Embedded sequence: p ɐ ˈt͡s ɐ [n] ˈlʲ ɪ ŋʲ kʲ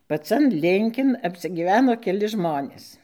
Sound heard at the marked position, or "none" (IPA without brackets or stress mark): n